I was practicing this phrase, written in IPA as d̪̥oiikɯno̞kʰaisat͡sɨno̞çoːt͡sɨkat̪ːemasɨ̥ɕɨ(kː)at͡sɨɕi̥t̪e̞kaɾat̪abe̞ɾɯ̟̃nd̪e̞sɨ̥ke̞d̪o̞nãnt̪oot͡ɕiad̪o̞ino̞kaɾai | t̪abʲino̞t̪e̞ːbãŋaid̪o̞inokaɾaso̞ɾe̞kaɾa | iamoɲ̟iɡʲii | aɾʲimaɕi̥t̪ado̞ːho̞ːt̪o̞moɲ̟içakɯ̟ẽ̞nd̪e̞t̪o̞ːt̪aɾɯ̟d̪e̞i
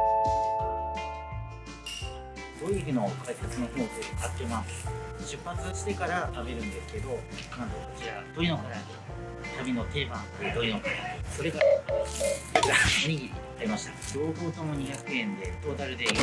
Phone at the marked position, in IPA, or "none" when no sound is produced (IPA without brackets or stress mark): pː